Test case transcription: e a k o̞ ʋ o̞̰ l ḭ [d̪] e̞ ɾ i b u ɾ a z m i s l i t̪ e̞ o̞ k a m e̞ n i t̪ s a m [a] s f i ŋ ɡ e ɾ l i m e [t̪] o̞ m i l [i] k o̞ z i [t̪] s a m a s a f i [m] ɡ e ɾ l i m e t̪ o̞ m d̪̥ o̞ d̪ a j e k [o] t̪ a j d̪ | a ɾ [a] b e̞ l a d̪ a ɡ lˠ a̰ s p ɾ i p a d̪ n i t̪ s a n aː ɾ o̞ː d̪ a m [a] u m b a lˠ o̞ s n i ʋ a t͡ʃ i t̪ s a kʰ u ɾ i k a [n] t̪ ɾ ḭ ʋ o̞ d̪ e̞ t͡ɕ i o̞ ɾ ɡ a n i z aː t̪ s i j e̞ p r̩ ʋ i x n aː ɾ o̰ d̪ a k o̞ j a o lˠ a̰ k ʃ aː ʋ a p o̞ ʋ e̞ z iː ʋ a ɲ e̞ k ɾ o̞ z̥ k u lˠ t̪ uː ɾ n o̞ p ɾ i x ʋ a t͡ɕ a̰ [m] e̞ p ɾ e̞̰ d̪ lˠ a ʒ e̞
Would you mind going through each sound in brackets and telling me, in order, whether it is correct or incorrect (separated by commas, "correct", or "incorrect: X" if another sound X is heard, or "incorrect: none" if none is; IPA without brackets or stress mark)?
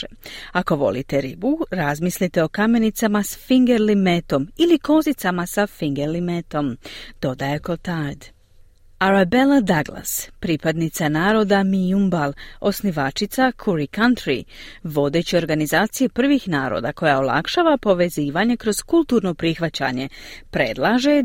incorrect: t̪, correct, correct, correct, correct, incorrect: ŋ, correct, correct, incorrect: i, correct, incorrect: ɲ